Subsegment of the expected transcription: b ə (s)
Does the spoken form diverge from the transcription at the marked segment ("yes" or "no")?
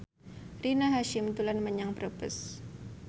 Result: no